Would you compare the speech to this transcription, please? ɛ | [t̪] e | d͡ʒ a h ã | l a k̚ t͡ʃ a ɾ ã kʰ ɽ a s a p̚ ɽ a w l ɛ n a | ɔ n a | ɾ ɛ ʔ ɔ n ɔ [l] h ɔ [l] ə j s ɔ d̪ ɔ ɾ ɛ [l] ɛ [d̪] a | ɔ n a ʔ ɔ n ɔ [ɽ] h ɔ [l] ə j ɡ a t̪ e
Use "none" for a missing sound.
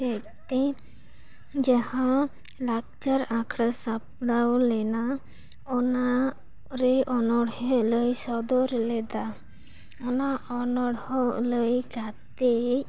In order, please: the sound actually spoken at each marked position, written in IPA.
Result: t̪, ɽ, l, l, d̪, ɽ, l

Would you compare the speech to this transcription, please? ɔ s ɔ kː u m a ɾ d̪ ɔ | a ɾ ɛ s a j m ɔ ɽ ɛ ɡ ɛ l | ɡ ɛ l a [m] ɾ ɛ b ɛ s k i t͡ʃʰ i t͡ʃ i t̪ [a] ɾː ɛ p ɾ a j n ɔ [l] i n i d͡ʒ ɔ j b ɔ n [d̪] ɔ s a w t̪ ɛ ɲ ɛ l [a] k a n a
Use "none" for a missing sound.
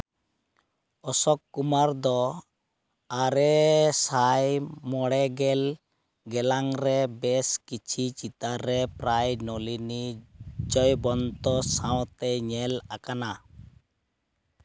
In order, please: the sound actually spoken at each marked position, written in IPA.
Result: ŋ, a, l, t̪, a

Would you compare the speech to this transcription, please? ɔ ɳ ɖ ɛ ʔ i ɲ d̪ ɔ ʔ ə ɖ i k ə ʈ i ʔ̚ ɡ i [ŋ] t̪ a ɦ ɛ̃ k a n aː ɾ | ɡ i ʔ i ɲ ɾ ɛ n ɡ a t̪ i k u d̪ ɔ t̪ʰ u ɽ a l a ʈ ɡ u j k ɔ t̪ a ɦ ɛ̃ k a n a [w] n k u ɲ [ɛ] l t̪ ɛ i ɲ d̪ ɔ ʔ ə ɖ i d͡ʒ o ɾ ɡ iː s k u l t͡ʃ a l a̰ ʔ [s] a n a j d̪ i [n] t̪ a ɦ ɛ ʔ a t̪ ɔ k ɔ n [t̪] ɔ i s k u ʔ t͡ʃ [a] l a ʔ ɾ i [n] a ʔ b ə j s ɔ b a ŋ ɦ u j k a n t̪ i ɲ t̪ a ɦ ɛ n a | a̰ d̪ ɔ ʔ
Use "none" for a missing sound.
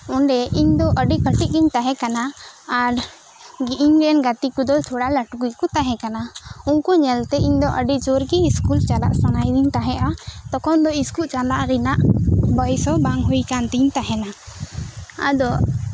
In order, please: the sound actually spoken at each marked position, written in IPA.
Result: ɲ, u, ɛ, s, ɲ, d̪, a, n

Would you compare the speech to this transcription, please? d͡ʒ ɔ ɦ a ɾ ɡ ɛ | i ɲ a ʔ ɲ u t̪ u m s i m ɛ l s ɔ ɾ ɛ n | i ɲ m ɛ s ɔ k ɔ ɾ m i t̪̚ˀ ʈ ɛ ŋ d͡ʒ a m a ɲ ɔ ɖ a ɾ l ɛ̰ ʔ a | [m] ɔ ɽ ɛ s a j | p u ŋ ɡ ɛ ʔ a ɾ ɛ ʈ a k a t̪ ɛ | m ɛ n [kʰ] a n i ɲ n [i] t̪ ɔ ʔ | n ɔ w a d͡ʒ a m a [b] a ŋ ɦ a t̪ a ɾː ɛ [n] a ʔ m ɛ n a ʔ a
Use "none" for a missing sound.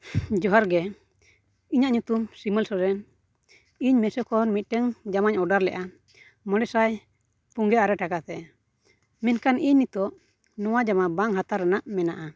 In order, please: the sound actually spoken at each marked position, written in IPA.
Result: m, k, i, b, n

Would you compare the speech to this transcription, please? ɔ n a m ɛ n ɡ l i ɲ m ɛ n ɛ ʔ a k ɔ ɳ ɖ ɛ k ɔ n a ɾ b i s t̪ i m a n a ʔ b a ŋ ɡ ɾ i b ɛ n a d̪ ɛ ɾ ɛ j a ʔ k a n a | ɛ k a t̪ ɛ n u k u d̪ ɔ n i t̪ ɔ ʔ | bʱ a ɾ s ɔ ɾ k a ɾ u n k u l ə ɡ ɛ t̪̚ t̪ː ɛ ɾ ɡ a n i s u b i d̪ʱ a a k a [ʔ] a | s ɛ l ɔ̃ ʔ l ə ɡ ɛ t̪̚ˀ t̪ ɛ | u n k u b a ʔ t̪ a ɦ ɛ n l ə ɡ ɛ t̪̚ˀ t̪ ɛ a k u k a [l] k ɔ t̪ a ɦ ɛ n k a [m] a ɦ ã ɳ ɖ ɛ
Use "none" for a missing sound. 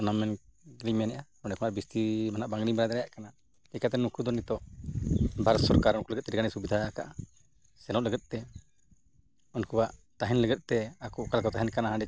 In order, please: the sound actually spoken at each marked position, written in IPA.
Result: ʔ, l, n

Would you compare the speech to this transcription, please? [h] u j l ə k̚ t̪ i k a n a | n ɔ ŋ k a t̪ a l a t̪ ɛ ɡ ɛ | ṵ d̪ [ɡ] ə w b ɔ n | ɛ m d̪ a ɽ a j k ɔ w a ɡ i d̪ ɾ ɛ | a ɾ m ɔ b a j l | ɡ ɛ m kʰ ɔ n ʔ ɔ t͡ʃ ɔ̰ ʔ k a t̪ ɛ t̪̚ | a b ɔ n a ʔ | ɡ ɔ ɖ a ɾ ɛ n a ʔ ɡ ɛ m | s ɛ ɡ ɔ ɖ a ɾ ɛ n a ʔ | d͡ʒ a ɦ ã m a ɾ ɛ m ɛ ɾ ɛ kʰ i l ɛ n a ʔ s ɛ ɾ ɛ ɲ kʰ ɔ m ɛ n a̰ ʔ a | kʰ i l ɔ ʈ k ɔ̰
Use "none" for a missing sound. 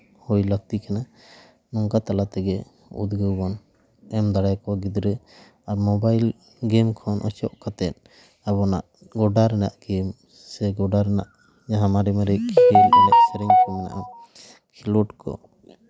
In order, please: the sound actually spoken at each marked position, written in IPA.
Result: h, ɡ

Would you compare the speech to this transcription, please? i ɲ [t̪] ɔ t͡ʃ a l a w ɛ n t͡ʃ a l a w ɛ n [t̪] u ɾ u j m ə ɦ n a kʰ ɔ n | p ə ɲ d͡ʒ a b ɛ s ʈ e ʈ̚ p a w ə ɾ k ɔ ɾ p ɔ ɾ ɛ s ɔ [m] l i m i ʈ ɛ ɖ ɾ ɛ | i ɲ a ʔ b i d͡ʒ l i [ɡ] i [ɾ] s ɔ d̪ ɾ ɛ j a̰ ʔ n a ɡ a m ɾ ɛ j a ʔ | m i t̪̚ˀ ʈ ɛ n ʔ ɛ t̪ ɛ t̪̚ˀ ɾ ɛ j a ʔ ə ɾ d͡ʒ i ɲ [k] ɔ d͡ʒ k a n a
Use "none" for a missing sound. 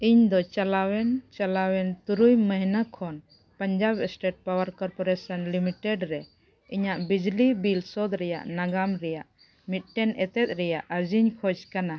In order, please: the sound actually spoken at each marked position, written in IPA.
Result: d̪, t̪, n, b, l, kʰ

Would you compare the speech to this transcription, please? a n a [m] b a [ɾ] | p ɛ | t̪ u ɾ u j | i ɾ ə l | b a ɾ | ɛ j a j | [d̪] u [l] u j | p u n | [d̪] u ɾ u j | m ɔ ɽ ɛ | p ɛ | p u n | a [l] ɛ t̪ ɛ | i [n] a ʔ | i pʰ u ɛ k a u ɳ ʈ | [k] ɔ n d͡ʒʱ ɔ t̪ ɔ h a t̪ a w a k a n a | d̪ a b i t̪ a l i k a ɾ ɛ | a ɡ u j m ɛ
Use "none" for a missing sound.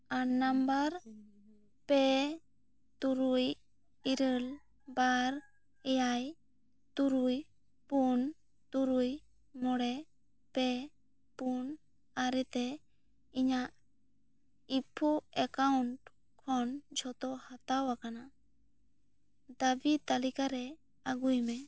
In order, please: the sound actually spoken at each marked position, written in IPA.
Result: m, ɾ, t̪, ɾ, t̪, ɾ, ɲ, kʰ

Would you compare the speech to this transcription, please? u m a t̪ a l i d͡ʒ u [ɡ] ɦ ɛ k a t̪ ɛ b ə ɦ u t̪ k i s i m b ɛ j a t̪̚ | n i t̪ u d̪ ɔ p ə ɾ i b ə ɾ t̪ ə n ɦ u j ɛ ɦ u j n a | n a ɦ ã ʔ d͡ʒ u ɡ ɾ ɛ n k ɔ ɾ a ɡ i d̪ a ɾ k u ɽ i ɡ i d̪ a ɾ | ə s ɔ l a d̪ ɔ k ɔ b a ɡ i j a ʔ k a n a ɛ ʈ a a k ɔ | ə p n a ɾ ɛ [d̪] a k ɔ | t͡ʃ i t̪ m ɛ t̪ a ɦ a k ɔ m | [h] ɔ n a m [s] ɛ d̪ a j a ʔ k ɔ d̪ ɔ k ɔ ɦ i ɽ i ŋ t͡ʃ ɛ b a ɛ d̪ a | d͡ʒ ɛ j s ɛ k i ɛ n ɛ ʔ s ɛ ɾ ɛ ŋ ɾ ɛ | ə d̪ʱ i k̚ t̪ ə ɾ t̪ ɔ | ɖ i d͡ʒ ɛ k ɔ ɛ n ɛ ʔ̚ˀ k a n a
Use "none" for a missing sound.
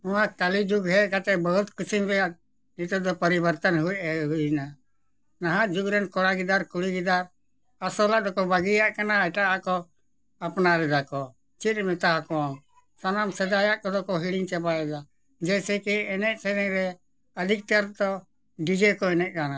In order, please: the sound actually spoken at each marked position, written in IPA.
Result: ɡ, d̪, s, s

